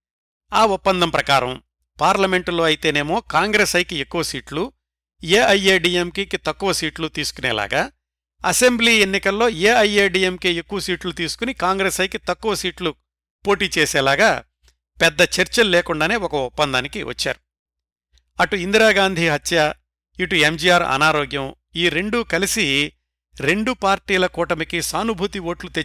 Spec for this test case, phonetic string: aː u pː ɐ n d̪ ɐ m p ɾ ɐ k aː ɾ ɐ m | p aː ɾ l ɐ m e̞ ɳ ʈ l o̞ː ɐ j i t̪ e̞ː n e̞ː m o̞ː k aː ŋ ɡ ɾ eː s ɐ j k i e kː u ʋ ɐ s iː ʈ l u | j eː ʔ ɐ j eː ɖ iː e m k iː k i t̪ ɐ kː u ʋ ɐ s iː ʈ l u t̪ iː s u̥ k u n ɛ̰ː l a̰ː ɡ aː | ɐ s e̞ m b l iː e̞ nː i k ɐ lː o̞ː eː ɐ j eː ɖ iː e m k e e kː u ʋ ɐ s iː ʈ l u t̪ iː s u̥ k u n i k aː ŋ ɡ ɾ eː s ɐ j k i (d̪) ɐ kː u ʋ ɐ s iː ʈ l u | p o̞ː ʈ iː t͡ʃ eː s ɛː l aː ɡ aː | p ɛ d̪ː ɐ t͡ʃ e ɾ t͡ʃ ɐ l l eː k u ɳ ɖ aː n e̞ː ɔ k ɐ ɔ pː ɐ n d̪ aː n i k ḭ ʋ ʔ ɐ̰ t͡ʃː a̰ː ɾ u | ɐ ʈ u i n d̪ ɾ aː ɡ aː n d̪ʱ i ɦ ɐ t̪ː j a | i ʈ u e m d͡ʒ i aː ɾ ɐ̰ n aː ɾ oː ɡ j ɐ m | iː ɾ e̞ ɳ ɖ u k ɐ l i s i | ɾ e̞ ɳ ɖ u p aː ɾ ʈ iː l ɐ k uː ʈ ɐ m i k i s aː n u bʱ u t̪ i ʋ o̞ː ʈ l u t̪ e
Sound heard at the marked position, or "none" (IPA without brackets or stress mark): t̪